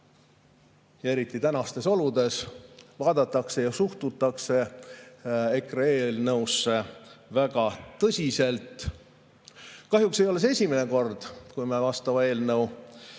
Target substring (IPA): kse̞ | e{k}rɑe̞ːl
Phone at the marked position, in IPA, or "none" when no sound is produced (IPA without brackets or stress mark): k